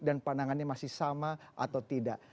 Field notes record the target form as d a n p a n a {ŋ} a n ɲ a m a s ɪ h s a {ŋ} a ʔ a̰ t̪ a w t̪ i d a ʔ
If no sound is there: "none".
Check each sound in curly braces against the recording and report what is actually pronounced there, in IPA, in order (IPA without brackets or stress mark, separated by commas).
ŋ, m